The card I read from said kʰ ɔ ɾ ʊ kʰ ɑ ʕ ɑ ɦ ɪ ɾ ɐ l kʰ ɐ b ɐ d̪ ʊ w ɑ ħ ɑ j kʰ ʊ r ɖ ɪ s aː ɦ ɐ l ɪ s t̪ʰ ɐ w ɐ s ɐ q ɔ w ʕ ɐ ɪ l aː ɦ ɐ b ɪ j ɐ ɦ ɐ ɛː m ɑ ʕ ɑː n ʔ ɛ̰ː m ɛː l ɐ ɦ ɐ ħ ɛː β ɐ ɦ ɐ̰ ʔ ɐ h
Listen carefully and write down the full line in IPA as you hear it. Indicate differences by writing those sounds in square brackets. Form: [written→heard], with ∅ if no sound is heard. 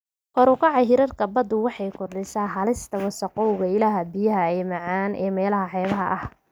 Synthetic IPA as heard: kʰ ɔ ɾ ʊ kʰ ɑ ʕ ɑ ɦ ɪ ɾ ɐ [l→r] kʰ ɐ b ɐ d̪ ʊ w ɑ ħ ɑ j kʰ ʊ r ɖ ɪ s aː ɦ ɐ l ɪ s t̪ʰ ɐ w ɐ s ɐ q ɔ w [ʕ→ɣ] ɐ ɪ l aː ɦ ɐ b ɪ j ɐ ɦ ɐ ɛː m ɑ ʕ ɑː n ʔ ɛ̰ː m ɛː l ɐ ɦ ɐ ħ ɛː β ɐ ɦ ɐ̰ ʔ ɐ h

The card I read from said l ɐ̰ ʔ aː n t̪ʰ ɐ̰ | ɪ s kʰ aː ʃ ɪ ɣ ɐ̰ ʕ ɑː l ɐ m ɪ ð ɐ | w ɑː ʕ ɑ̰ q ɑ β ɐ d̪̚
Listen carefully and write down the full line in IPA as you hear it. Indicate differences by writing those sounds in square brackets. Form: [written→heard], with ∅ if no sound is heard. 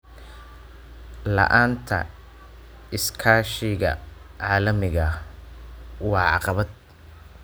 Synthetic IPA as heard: l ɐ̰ ʔ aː n t̪ʰ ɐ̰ | ɪ s kʰ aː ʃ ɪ ɣ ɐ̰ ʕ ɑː l ɐ m ɪ [ð→ɣ] ɐ | w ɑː ʕ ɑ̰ q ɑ β ɐ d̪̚

